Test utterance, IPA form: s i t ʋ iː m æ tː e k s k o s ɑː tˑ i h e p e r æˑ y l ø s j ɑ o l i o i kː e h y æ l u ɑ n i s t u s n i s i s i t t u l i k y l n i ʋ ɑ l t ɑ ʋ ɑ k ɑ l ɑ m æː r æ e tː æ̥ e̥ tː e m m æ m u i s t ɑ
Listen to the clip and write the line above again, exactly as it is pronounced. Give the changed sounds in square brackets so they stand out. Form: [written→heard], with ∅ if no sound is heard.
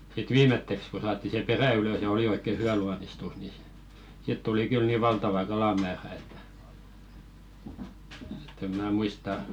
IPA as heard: s i t ʋ iː m [æ→e] tː e k s k o s ɑː tˑ i [h→s] e p e r æˑ y l ø s j ɑ o l i o i kː e h y æ l u ɑ n i s t u s n i s i s i t t u l i k y l n i ʋ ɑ l t ɑ ʋ ɑ k ɑ l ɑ m æː r æ e tː æ̥ e̥ tː e m m [æ→æː] m u i s t ɑ